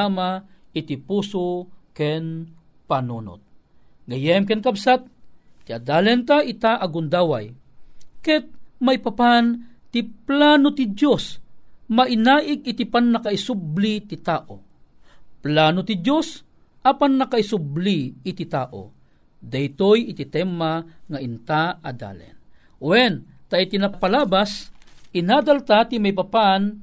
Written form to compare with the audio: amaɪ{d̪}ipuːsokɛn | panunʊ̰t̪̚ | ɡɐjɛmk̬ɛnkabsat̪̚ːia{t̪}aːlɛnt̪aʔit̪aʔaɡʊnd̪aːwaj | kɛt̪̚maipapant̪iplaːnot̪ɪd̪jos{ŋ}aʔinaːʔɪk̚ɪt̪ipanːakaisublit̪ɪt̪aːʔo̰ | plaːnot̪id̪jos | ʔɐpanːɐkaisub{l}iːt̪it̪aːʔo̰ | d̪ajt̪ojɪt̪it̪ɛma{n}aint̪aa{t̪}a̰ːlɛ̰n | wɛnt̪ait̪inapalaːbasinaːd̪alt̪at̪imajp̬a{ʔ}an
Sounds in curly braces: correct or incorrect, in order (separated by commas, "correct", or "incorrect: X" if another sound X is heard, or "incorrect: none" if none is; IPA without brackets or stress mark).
incorrect: t̪, incorrect: d̪, incorrect: m, correct, incorrect: ŋ, incorrect: d̪, incorrect: p